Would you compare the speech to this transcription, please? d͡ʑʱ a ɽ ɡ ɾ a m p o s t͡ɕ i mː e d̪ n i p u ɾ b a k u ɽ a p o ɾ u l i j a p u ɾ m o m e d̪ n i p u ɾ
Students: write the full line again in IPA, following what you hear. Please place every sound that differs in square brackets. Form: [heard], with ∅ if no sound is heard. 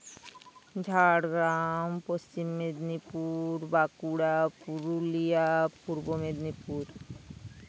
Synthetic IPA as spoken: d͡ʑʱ a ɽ ɡ ɾ a m p o s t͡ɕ i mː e d̪ n i p u ɾ b a k u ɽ a p [u] ɾ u l i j a p u ɾ [b] o m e d̪ n i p u ɾ